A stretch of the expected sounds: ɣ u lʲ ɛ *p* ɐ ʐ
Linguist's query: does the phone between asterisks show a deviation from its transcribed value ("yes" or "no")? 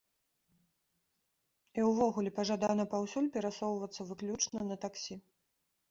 no